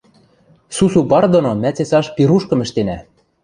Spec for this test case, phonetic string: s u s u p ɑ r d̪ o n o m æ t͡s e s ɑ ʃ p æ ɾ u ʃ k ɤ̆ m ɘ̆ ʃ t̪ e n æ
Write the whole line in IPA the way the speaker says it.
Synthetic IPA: s u s u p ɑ r d̪ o n o m æ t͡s e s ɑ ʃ p i ɾ u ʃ k ɤ̆ m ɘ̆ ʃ t̪ e n æ